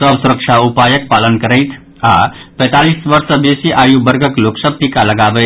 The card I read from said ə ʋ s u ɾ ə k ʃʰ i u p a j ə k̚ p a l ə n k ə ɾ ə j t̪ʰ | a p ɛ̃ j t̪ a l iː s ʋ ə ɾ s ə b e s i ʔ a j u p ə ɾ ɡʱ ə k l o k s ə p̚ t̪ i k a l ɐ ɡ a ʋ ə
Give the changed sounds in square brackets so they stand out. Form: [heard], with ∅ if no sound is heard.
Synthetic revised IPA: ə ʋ s u ɾ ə k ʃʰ [a] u p a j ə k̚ p a l ə n k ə ɾ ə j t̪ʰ | a p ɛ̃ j t̪ a l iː s ʋ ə ɾ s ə b e s i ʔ a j u [b] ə ɾ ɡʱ ə k l o k s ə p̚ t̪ i k a l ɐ ɡ a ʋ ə